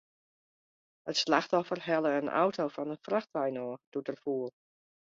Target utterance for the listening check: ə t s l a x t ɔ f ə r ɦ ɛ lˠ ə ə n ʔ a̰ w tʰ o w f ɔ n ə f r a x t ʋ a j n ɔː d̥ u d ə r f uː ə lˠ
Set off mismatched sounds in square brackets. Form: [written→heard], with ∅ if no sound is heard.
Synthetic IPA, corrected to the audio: ə t s l a x t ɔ f ə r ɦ ɛ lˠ ə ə n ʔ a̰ w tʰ o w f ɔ n ə f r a x t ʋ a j n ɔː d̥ u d ə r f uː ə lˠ

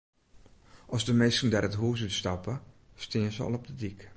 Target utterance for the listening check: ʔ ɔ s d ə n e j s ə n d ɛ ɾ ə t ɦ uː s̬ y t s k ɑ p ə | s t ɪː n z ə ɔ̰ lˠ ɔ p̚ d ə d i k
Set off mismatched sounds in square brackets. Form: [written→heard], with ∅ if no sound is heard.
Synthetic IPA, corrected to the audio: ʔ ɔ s d ə [n→m] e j s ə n d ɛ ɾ ə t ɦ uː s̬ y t s [k→t] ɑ p ə | s t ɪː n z ə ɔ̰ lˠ ɔ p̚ d ə d i k

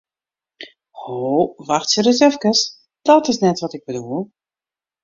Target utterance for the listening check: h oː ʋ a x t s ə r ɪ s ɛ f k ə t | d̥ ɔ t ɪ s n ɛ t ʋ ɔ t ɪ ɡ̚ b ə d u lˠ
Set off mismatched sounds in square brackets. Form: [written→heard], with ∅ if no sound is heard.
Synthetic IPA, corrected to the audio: h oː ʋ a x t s ə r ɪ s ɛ f k ə [t→s] | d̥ ɔ t ɪ s n ɛ t ʋ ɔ t ɪ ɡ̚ b ə d u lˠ

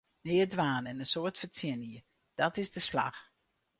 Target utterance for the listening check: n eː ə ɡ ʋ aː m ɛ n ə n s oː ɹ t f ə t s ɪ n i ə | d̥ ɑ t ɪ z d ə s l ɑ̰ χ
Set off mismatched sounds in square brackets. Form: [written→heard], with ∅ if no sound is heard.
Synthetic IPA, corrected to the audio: n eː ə [ɡ→d] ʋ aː [m→n] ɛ n ə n s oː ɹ t f ə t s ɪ n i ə | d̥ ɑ t ɪ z d ə s l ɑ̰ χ

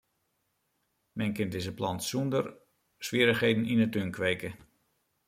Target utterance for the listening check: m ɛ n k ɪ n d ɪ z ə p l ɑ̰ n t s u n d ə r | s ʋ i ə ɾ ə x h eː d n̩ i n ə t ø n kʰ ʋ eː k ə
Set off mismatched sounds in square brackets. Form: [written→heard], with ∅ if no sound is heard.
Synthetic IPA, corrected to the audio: m ɛ n k ɪ n d ɪ z ə p l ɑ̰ n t s u n d ə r | s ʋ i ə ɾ ə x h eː d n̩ i n ə t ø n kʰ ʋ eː k ə

